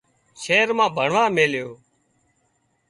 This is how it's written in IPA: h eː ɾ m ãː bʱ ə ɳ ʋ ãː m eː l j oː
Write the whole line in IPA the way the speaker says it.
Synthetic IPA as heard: ʃ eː ɾ m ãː bʱ ə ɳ ʋ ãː m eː l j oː